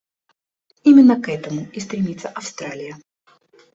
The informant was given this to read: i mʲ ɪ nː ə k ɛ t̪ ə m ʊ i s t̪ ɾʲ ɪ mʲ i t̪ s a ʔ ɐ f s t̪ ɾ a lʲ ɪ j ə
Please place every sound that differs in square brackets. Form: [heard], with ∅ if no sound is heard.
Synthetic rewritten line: i mʲ ɪ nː ə k ɛ t̪ ə m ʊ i s t̪ ɾʲ ɪ mʲ i t̪ s [ə] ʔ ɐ f s t̪ ɾ a lʲ ɪ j ə